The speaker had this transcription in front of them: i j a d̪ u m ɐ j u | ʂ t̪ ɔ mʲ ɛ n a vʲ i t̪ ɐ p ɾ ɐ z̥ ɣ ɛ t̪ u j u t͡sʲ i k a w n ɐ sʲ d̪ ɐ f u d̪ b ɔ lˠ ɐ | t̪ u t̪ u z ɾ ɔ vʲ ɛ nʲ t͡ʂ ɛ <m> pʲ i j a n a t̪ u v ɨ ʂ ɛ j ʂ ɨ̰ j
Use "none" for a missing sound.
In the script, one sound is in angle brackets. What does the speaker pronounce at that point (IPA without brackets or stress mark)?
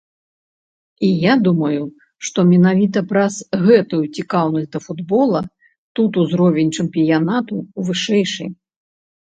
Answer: m